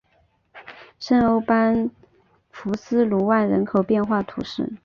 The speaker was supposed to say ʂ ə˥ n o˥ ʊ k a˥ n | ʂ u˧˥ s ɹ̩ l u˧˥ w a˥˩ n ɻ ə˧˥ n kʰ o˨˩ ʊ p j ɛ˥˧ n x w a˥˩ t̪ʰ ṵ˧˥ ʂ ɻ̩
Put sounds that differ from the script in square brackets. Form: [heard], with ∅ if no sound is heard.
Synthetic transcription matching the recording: ʂ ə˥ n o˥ ʊ [p] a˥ n | [f] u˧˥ s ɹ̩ l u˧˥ w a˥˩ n ɻ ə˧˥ n kʰ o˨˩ ʊ p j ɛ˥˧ n x w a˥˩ t̪ʰ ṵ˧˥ ʂ ɻ̩